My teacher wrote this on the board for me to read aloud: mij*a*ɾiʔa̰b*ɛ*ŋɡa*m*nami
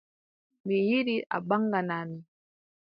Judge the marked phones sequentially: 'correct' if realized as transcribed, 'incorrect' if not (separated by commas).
incorrect, incorrect, incorrect